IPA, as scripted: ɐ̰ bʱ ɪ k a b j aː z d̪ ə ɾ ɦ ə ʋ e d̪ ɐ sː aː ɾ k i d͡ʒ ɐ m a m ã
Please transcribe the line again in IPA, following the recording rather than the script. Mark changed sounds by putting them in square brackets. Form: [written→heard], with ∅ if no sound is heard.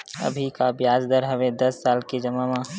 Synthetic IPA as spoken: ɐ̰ bʱ [ɪ→i] k a b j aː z d̪ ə ɾ ɦ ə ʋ e d̪ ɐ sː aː [ɾ→l] k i d͡ʒ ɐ m a m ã